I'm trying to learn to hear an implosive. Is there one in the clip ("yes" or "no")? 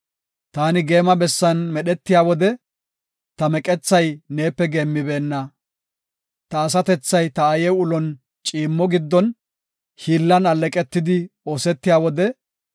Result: yes